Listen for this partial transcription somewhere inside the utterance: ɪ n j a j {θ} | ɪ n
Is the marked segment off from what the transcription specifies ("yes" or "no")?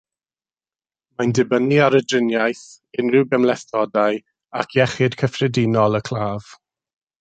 no